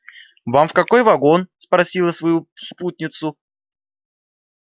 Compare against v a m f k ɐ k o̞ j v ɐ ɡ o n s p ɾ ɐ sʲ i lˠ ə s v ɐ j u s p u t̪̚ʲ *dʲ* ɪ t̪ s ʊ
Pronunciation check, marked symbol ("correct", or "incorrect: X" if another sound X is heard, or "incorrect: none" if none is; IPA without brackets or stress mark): incorrect: nʲ